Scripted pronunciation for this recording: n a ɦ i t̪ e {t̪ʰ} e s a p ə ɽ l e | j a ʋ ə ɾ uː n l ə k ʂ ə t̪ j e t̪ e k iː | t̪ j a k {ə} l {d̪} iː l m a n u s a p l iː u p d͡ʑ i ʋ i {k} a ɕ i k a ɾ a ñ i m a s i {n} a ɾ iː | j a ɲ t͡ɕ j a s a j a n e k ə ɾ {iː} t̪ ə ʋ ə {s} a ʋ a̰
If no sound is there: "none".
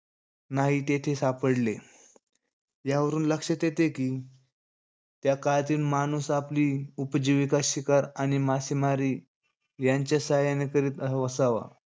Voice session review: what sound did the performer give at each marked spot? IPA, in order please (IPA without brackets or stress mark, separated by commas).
t̪ʰ, a, t̪, k, m, iː, s